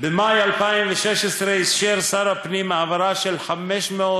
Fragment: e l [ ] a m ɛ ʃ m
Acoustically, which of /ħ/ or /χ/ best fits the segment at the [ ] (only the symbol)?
ħ